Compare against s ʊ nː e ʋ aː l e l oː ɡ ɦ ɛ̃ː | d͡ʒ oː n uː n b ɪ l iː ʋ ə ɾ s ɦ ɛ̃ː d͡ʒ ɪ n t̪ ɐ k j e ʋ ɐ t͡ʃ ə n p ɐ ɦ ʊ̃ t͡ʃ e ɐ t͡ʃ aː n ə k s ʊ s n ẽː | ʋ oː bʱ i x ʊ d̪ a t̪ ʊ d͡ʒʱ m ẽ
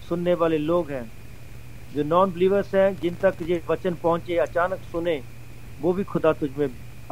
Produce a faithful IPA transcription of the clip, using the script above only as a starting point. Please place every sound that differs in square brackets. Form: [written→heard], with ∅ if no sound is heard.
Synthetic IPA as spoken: s ʊ nː e ʋ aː l e l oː ɡ ɦ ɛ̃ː | d͡ʒ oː n [uː→ɔː] n b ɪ l iː ʋ ə ɾ s ɦ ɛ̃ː d͡ʒ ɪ n t̪ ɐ k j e ʋ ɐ t͡ʃ ə n p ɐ ɦ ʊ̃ t͡ʃ e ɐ t͡ʃ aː n ə k s ʊ [s→∅] n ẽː | ʋ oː bʱ i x ʊ d̪ a t̪ ʊ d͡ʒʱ m ẽ